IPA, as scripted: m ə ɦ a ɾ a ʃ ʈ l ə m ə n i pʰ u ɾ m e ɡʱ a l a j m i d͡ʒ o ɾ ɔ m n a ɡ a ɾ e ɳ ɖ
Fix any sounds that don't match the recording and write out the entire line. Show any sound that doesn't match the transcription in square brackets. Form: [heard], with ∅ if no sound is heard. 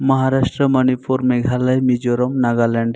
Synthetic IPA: m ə ɦ a ɾ a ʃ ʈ [ɾ] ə m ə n i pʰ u ɾ m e ɡʱ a l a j m i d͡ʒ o ɾ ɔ m n a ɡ a [l] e ɳ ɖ